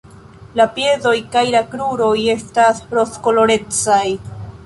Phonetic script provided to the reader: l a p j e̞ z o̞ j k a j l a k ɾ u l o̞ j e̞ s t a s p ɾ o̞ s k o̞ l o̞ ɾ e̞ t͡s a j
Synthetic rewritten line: l a p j e̞ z o̞ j k a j l a k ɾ u ɾ o̞ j e̞ s t a s p ɾ o̞ s k o̞ l o̞ ɾ e̞ t͡s a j